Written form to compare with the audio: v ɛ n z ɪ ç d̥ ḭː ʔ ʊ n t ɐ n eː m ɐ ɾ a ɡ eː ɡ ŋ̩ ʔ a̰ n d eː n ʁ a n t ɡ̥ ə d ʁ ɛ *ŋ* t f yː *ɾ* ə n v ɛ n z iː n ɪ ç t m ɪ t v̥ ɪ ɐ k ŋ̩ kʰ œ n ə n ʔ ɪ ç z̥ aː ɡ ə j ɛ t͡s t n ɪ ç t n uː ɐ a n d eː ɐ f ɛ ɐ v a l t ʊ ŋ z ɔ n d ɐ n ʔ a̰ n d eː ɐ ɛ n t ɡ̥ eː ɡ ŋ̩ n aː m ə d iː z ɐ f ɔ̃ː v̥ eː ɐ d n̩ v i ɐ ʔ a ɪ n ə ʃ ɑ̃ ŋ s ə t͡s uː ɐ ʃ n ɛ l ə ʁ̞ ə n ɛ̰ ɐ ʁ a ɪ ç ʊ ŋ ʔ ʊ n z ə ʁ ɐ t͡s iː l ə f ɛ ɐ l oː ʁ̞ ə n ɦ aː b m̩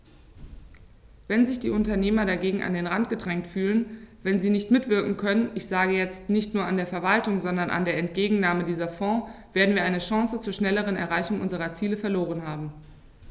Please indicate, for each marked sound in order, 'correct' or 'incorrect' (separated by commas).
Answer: correct, incorrect